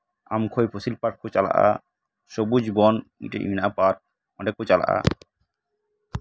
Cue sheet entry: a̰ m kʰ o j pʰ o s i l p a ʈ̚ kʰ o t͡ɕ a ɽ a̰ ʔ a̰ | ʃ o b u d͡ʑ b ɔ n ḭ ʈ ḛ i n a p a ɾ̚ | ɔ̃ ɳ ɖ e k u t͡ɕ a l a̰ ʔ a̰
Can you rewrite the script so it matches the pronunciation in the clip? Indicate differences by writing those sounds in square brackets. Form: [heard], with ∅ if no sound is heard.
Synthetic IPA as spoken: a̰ m kʰ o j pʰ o s i l p a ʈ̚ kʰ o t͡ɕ a [l] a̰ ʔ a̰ | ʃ o b u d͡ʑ b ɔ n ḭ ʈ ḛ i n a p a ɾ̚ | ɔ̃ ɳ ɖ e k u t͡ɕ a l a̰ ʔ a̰